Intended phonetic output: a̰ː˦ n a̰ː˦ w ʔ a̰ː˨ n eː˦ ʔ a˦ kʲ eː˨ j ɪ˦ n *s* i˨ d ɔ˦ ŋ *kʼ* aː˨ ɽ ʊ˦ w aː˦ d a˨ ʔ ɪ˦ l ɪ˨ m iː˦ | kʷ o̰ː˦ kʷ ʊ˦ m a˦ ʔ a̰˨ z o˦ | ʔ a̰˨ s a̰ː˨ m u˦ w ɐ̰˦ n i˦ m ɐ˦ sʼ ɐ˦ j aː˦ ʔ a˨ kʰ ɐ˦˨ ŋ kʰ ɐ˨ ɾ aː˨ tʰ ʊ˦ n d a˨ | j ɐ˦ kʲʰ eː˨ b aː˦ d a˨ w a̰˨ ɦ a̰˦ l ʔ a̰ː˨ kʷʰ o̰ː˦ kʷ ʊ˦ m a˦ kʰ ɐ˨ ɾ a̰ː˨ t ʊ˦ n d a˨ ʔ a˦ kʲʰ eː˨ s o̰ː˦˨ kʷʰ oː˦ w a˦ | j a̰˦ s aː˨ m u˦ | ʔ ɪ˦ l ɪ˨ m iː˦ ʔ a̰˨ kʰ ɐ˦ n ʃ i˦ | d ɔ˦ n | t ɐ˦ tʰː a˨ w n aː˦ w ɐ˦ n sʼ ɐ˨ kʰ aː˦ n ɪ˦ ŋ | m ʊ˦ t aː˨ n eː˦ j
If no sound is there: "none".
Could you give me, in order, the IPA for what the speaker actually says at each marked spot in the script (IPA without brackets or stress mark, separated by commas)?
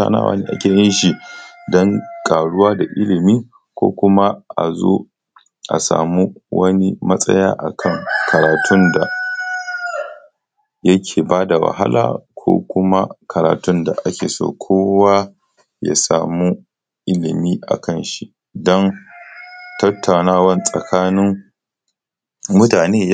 ʃ, kʼ